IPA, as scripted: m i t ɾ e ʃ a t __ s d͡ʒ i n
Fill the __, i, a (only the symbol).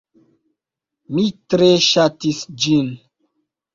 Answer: i